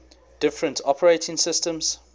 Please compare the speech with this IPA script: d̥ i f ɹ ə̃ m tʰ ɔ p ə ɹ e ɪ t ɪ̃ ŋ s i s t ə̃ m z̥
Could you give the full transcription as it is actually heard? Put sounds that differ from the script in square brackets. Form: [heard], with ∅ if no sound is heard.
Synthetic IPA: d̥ [ɪ] f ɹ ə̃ [n] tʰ ɔ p ə ɹ e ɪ t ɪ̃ ŋ s [ɪ] s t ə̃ m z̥